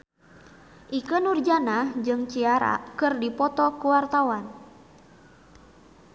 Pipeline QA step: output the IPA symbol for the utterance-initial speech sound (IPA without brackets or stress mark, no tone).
ʔ